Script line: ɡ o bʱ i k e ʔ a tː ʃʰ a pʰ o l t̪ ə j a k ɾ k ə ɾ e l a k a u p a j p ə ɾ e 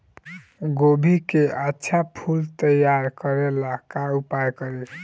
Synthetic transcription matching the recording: ɡ o bʱ i k e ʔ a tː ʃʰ a pʰ u l t̪ ə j a ɾ k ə ɾ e l a k a u p a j k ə ɾ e